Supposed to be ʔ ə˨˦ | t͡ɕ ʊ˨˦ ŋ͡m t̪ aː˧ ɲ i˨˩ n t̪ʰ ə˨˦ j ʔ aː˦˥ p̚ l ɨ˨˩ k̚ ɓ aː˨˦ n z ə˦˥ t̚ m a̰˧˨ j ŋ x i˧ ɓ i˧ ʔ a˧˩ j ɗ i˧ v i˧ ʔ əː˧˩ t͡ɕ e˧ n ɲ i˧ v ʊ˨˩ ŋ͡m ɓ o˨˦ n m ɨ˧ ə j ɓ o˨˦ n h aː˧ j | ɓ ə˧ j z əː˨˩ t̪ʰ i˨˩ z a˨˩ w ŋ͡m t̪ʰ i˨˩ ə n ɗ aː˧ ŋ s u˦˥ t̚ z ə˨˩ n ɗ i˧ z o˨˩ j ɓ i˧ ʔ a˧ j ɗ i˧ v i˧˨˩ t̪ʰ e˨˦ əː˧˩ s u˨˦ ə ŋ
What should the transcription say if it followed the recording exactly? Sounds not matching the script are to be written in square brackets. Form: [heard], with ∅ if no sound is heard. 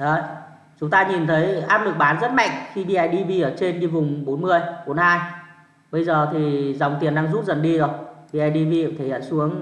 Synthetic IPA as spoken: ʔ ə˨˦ | t͡ɕ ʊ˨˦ ŋ͡m t̪ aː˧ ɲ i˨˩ n t̪ʰ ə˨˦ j ʔ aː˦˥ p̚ l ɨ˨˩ k̚ ɓ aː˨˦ n z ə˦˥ t̚ m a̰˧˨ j ŋ x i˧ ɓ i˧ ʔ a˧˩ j ɗ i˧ v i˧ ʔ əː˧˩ t͡ɕ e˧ n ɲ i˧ v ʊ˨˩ ŋ͡m ɓ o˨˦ n m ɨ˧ ə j ɓ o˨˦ n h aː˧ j | ɓ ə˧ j z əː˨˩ t̪ʰ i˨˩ z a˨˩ w ŋ͡m [t̪] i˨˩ ə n ɗ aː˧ ŋ [z] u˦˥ t̚ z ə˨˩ n ɗ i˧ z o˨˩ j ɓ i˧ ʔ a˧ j ɗ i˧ v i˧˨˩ t̪ʰ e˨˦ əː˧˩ s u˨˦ ə ŋ